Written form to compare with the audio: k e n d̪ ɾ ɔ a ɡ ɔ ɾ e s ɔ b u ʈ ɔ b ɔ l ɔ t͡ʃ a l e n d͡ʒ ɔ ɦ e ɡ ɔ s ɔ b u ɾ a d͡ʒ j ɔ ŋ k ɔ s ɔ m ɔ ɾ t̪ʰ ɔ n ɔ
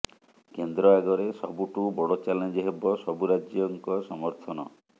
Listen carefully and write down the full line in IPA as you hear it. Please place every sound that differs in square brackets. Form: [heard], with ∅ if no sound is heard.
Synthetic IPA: k e n d̪ ɾ ɔ a ɡ ɔ ɾ e s ɔ b u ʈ [u] b ɔ [ɽ] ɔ t͡ʃ a l e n d͡ʒ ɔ ɦ e [b] ɔ s ɔ b u ɾ a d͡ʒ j ɔ ŋ k ɔ s ɔ m ɔ ɾ t̪ʰ ɔ n ɔ

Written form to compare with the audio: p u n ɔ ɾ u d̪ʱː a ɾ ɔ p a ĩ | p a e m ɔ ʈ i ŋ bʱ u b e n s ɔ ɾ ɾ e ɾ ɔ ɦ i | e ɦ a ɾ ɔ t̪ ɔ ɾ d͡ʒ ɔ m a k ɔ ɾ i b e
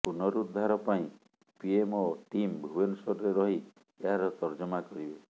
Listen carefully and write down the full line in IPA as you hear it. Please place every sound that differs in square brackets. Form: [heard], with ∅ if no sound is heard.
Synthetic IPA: p u n ɔ ɾ u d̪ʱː a ɾ ɔ p a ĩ | p [i] e m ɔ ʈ i [m] bʱ u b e n s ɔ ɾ ɾ e ɾ ɔ ɦ i | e ɦ a ɾ ɔ t̪ ɔ ɾ d͡ʒ ɔ m a k ɔ ɾ i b e

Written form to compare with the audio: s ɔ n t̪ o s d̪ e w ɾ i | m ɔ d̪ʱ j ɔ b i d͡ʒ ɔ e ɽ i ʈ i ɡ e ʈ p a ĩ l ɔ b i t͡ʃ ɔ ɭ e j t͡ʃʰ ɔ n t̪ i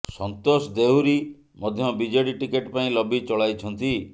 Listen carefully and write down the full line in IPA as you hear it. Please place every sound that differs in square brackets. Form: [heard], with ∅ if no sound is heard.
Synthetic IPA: s ɔ n t̪ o s d̪ e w ɾ i | m ɔ d̪ʱ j ɔ b i d͡ʒ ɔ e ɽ i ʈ i [k] e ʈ p a ĩ l ɔ b i t͡ʃ ɔ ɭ [a] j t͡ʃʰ ɔ n t̪ i

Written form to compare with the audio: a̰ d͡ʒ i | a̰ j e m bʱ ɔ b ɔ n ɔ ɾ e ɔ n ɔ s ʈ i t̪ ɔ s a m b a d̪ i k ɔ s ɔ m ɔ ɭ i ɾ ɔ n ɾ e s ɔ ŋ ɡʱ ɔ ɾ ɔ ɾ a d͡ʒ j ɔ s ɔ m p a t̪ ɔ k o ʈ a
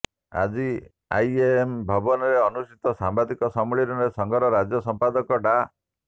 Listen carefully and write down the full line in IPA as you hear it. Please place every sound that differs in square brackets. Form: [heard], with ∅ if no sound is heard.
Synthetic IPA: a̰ d͡ʒ i | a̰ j e m bʱ ɔ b ɔ n ɔ ɾ e ɔ n [u] s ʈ i t̪ ɔ s a m b a d̪ i k ɔ s ɔ m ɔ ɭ i ɾ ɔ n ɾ e s ɔ ŋ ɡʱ ɔ ɾ ɔ ɾ a d͡ʒ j ɔ s ɔ m p a [d̪] ɔ k [ɔ] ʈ a

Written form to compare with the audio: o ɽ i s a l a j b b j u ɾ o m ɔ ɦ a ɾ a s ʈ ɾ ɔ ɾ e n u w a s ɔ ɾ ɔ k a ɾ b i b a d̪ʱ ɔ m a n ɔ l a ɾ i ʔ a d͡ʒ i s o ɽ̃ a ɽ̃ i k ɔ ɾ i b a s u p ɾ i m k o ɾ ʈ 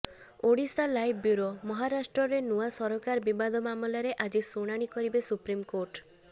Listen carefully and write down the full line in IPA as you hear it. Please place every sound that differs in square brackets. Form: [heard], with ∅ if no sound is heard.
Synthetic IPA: o ɽ i s a l a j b b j u ɾ o m ɔ ɦ a ɾ a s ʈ ɾ ɔ ɾ e n u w a s ɔ ɾ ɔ k a ɾ b i b a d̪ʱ ɔ m a [m] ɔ l a ɾ [e] ʔ a d͡ʒ i s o ɽ̃ a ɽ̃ i k ɔ ɾ i b [e] s u p ɾ i m k o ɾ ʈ

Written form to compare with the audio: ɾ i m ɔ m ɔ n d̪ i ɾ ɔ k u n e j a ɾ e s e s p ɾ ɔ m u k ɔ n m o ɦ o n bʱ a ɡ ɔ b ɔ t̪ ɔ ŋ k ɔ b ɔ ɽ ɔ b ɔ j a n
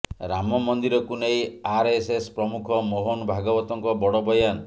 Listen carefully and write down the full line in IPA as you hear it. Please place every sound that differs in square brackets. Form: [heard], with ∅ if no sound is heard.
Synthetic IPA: ɾ [a] m ɔ m ɔ n d̪ i ɾ ɔ k u n e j a ɾ e s e s p ɾ ɔ m u [kʰ] ɔ [∅] m o ɦ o n bʱ a ɡ ɔ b ɔ t̪ ɔ ŋ k ɔ b ɔ ɽ ɔ b ɔ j a n

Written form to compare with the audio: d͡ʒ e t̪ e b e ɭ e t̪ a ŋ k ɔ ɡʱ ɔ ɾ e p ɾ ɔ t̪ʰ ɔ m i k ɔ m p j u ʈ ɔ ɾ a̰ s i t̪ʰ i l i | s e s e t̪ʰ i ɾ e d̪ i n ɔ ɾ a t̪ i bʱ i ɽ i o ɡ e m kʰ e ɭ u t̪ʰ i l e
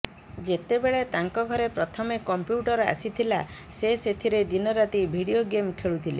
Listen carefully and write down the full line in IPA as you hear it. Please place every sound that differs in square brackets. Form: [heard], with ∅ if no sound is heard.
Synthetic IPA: d͡ʒ e t̪ e b e ɭ e t̪ a ŋ k ɔ ɡʱ ɔ ɾ e p ɾ ɔ t̪ʰ ɔ m [e] k ɔ m p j u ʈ ɔ ɾ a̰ s i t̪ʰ i l [a] | s e s e t̪ʰ i ɾ e d̪ i n ɔ ɾ a t̪ i bʱ i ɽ i o ɡ e m kʰ e ɭ u t̪ʰ i l e

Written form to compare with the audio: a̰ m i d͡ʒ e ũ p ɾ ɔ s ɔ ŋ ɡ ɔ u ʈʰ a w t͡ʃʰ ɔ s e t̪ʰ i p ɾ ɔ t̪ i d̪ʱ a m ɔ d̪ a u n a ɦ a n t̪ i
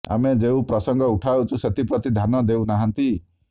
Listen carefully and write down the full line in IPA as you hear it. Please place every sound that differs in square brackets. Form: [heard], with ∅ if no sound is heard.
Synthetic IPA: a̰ m [e] d͡ʒ e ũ p ɾ ɔ s ɔ ŋ ɡ ɔ u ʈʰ a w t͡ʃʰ [u] s e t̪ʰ i p ɾ ɔ t̪ i d̪ʱ a [n] ɔ d̪ [e] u n a ɦ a n t̪ i

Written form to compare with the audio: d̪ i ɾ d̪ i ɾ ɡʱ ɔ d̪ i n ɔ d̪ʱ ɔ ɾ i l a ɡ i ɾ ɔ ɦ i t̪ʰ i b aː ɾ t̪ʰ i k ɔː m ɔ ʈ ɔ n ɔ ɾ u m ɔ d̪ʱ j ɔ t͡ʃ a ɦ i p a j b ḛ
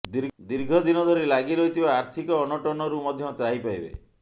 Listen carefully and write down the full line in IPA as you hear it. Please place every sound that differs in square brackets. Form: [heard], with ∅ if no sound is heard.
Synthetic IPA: d̪ i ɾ d̪ i ɾ ɡʱ ɔ d̪ i n ɔ d̪ʱ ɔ ɾ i l a ɡ i ɾ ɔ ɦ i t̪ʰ i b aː ɾ t̪ʰ i k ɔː [n] ɔ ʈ ɔ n ɔ ɾ u m ɔ d̪ʱ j ɔ t͡ʃ a ɦ i p a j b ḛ

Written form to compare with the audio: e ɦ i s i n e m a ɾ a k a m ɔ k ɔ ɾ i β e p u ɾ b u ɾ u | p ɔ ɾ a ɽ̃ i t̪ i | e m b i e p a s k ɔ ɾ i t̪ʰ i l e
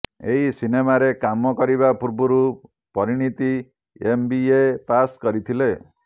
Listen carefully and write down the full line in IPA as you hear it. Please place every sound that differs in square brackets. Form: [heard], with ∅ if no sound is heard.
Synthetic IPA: e ɦ i s i n e m a ɾ [e] k a m ɔ k ɔ ɾ i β [a] p u ɾ b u ɾ u | p ɔ ɾ [i] ɽ̃ i t̪ i | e m b i e p a s k ɔ ɾ i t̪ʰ i l e

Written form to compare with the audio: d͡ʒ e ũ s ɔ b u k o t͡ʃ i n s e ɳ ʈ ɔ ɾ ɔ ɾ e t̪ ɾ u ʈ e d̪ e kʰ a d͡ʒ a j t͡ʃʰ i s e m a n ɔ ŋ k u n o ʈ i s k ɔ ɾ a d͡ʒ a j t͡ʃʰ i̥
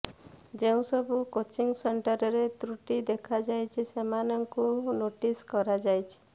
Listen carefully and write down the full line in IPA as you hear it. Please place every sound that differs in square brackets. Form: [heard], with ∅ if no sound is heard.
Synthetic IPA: d͡ʒ e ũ s ɔ b u k o t͡ʃ i [ŋ] s e ɳ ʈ ɔ ɾ ɔ ɾ e t̪ ɾ u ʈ [i] d̪ e kʰ a d͡ʒ a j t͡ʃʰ i s e m a n ɔ ŋ k u n o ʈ i s k ɔ ɾ a d͡ʒ a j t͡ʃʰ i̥

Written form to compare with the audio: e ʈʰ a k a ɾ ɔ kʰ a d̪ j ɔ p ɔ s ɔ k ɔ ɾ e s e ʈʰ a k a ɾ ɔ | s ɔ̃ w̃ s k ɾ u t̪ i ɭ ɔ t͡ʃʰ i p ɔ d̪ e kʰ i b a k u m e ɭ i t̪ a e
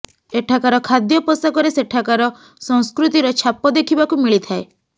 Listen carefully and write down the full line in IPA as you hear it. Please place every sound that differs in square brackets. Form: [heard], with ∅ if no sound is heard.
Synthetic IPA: e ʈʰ a k a ɾ ɔ kʰ a d̪ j ɔ p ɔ s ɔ k ɔ ɾ e s e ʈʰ a k a ɾ ɔ | s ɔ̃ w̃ s k ɾ u t̪ i [ɾ] ɔ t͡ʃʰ [a] p ɔ d̪ e kʰ i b a k u m [i] ɭ i [t̪ʰ] a e

